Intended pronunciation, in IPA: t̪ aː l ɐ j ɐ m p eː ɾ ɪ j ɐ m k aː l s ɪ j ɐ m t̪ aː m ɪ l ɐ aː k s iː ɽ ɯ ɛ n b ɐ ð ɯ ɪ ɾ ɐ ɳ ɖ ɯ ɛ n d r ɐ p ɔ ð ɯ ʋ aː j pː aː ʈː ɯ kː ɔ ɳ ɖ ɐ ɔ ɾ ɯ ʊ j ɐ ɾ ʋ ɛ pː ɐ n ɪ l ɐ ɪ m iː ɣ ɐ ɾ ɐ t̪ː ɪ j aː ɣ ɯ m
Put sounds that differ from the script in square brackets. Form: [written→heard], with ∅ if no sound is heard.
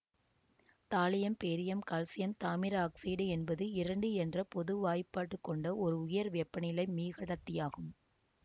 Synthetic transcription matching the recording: t̪ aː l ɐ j ɐ m p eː ɾ ɪ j ɐ m k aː l s ɪ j ɐ m t̪ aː m ɪ [l→ɾ] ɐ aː k s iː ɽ ɯ ɛ n b ɐ ð ɯ ɪ ɾ ɐ ɳ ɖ ɯ ɛ n d r ɐ p ɔ ð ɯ ʋ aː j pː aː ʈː ɯ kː ɔ ɳ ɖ ɐ ɔ ɾ ɯ ʊ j ɐ ɾ ʋ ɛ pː ɐ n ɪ l ɐ ɪ m iː ɣ ɐ [ɾ→ɽ] ɐ t̪ː ɪ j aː ɣ ɯ m